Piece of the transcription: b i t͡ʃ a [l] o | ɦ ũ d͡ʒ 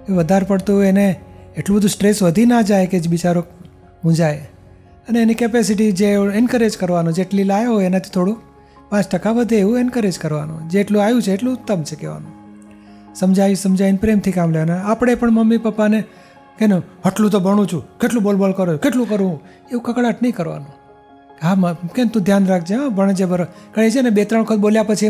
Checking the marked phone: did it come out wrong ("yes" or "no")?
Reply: yes